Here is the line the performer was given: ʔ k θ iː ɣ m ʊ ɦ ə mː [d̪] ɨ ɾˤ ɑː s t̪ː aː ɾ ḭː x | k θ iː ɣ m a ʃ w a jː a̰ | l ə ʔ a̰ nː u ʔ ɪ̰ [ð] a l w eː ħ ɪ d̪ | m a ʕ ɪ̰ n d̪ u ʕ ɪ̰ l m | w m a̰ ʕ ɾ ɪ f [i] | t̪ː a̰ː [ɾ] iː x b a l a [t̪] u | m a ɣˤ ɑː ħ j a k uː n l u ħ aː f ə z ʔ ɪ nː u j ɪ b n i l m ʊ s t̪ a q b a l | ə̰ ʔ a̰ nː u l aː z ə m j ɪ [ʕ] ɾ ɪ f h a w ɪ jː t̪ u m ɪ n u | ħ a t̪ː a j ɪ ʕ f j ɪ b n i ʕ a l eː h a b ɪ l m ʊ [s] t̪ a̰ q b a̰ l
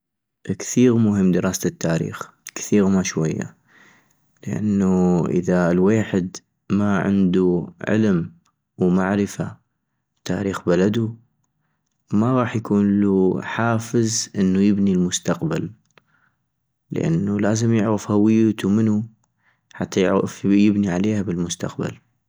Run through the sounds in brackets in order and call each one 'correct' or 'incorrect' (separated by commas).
correct, correct, incorrect, correct, incorrect, correct, correct